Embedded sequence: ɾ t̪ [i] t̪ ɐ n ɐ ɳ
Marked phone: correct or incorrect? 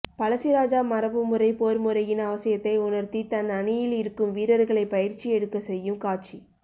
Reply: correct